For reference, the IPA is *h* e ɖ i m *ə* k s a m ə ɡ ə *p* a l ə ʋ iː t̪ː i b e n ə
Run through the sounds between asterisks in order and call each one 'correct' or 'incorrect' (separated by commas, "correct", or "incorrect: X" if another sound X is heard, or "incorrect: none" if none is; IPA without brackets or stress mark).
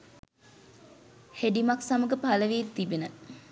correct, incorrect: a, correct